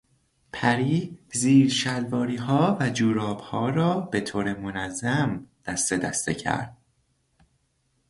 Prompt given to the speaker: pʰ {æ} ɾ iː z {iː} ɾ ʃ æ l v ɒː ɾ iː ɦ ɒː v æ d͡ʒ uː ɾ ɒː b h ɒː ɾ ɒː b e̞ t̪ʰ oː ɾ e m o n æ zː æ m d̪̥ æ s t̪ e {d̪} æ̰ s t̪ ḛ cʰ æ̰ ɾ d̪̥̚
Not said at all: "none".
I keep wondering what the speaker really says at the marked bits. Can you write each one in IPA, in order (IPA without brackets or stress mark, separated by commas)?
æ, iː, d̪